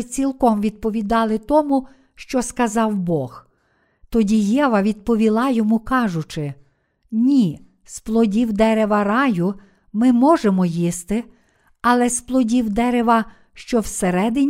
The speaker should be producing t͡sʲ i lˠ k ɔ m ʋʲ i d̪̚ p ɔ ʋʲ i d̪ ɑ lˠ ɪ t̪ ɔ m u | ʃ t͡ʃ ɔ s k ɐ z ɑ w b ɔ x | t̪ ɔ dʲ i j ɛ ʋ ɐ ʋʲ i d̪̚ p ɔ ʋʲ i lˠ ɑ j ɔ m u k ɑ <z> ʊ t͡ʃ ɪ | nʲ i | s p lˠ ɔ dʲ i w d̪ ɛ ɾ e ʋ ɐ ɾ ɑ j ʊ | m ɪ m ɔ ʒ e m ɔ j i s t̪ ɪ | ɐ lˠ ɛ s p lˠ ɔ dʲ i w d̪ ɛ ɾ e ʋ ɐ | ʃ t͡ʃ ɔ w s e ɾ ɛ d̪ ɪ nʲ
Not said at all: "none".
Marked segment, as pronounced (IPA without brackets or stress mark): ʒ